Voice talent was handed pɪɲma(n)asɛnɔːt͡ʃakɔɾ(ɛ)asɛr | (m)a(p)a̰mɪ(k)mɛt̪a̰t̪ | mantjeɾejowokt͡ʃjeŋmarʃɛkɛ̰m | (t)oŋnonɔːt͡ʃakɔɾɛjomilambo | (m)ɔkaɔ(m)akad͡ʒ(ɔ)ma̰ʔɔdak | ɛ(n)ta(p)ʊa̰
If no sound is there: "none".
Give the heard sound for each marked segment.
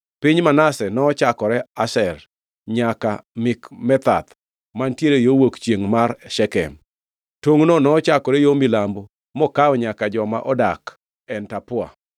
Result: n, ɛ, ɲ, k, k, t, m, ɲ, ɔ, n, p

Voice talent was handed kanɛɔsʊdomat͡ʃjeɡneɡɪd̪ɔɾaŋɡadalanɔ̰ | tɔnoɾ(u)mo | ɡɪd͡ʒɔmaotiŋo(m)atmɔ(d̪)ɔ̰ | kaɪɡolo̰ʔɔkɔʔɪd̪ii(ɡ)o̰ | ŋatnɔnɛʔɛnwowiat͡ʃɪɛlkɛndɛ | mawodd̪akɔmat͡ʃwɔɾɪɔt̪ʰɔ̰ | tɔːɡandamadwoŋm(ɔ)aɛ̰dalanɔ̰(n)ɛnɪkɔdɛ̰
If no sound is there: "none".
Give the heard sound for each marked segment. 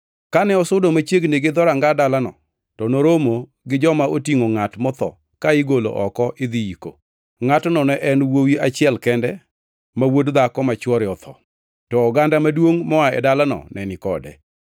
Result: o, ŋ, t̪, k, ɔ, n

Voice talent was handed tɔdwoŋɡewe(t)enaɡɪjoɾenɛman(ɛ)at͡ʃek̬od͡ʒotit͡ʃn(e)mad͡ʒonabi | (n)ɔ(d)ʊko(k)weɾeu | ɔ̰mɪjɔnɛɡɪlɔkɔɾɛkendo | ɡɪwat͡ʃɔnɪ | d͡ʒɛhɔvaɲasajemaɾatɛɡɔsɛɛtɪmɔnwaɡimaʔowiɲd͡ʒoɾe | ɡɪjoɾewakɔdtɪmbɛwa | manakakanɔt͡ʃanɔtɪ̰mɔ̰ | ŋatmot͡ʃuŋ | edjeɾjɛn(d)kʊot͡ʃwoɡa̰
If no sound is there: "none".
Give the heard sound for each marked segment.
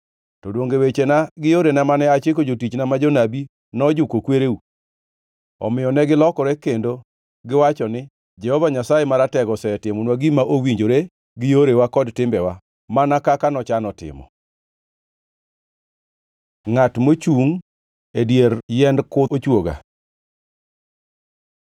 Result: t͡ʃ, ɛ, a, n, d͡ʒ, k, d

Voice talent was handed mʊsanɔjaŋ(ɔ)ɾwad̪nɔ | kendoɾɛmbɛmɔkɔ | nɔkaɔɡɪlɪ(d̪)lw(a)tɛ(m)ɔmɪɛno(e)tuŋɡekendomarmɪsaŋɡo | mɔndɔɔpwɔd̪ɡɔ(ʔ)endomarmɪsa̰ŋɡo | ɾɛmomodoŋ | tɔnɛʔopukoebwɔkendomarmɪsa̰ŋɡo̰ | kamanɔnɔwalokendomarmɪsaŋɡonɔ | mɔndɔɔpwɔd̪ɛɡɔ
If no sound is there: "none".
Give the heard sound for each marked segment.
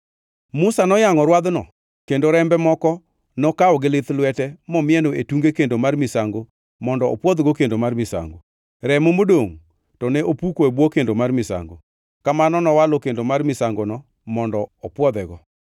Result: ɔ, t̪, ɛ, m, e, k

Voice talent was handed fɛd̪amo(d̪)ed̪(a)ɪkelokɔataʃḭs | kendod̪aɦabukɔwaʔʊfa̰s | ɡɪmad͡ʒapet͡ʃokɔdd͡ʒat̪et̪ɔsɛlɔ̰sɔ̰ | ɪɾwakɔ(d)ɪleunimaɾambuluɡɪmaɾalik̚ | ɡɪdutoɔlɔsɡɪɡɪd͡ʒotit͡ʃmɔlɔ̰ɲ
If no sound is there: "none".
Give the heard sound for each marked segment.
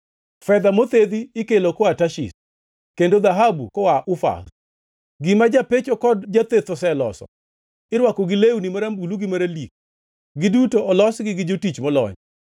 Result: t̪, i, ɡ

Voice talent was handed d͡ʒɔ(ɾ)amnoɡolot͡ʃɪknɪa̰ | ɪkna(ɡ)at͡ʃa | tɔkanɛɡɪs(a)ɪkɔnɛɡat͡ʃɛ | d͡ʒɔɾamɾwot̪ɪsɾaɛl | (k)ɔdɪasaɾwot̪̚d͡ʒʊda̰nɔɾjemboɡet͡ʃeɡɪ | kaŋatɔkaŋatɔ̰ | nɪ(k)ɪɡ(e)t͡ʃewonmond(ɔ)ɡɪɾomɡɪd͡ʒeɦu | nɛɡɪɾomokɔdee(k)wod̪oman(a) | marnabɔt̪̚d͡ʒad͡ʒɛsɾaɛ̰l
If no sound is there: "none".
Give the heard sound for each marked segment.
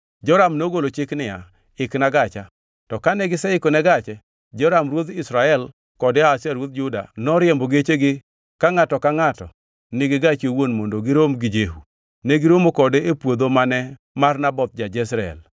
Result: ɾ, ɡ, ɛ, k, ɡ, a, o, p, ɛ

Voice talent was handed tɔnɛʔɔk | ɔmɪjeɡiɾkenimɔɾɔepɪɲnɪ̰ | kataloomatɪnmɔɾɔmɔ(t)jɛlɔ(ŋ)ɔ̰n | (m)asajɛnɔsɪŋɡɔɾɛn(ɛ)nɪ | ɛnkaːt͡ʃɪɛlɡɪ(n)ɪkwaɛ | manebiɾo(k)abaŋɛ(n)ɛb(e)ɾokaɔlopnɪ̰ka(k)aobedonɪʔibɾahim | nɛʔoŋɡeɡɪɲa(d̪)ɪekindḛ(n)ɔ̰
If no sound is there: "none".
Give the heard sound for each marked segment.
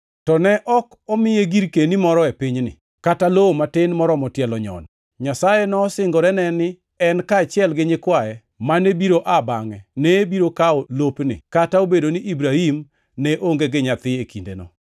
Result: t, ɲ, ɲ, ɛ, ɲ, ʔ, n, i, t, t̪, n

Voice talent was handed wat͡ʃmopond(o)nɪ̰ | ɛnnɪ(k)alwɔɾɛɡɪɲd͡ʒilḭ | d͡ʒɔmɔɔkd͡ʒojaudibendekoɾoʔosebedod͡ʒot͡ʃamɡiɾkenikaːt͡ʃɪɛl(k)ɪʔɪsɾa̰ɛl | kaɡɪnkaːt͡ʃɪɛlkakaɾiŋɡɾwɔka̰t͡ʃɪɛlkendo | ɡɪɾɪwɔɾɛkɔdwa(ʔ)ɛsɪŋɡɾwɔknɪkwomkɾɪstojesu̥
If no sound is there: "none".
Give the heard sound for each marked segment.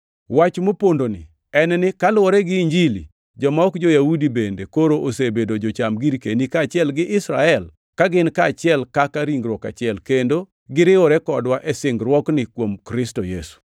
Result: o, k, ɡ, ʔ

